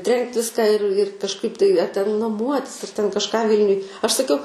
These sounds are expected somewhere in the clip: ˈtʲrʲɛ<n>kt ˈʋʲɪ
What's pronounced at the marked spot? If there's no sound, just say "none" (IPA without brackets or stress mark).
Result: ŋ